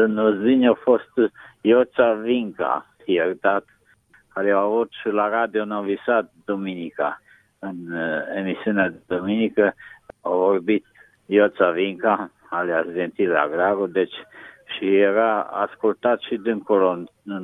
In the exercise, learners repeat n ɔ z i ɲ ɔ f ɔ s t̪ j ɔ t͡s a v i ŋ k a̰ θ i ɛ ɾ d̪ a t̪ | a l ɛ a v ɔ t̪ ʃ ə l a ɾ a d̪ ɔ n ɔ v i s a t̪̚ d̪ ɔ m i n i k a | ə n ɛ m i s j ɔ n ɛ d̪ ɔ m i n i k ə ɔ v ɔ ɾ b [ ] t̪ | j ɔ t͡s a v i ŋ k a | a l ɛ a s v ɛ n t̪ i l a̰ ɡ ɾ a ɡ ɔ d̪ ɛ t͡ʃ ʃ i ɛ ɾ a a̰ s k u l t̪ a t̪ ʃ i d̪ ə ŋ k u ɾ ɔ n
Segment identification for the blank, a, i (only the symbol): i